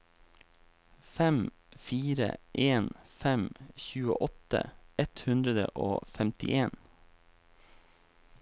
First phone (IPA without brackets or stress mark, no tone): f